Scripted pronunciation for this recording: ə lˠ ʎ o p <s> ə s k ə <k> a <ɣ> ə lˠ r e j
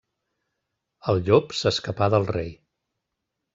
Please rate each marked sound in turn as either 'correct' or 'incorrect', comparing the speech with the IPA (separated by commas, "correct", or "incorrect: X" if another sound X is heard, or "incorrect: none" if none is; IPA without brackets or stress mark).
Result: correct, incorrect: p, incorrect: ð